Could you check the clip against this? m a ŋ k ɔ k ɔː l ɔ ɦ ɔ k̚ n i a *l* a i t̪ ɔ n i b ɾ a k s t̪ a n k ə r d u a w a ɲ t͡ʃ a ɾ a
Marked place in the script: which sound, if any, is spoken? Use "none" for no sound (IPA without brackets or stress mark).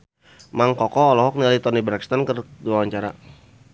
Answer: l